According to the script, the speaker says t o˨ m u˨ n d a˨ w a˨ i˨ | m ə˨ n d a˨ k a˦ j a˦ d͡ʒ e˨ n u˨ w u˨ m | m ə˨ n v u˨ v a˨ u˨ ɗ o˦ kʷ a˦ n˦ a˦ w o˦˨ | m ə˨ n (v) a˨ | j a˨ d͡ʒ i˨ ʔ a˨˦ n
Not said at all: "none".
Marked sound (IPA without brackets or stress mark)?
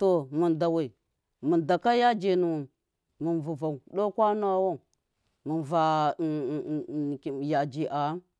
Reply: v